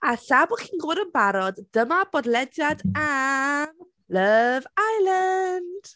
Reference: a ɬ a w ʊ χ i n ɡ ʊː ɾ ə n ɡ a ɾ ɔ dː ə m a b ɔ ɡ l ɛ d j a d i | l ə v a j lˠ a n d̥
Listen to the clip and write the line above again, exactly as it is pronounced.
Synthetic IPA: a ɬ a b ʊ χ i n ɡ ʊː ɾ ə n b a ɾ ɔ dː ə m a b ɔ d l ɛ d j a d a | l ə v a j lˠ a n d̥

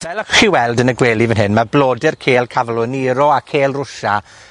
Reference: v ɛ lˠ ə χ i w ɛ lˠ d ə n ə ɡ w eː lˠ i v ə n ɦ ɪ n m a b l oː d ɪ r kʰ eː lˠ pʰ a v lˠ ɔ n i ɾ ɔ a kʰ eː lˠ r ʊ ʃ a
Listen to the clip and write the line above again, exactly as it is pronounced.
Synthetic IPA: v ɛ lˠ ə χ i w ɛ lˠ d ə n ə ɡ w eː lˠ i v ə n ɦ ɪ n m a b l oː d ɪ r kʰ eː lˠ kʰ a v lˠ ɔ n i ɾ ɔ a kʰ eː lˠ r ʊ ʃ a

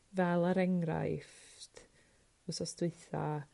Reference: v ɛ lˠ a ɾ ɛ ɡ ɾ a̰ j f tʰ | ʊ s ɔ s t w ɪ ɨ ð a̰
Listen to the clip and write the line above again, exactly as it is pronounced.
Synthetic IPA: v ɛ lˠ a ɾ ɛ ŋ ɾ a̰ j f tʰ | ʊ s ɔ s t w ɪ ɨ θ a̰

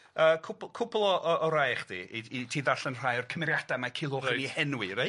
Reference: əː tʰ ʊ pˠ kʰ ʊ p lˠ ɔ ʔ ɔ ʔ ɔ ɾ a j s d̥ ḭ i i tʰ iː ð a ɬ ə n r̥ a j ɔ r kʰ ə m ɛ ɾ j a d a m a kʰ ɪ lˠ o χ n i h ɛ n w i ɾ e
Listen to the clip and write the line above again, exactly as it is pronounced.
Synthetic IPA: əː kʰ ʊ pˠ kʰ ʊ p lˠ ɔ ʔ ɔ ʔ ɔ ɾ a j χ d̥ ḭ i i tʰ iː ð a ɬ ə n r̥ a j ɔ r kʰ ə m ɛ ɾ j a d a m a kʰ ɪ lˠ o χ n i h ɛ n w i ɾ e

